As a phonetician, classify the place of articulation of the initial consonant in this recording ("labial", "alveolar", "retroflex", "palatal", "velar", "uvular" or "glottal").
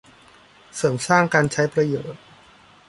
alveolar